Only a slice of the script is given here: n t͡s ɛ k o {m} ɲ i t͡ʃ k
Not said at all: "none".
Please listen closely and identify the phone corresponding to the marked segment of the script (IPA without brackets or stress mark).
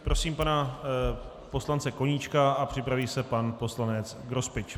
none